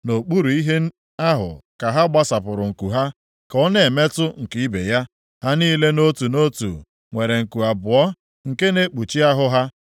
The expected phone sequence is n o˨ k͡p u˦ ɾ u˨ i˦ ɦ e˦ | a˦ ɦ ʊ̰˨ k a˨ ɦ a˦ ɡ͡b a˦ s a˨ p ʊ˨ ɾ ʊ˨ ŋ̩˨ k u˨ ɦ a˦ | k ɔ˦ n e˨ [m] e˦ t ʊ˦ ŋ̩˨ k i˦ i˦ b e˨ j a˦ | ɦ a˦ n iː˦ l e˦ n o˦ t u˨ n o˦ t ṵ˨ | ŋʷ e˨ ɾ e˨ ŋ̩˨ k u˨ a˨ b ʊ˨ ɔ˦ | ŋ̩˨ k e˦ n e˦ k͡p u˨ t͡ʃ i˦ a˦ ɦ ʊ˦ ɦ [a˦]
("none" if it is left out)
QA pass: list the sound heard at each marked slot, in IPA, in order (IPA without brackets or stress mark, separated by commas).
m, a˦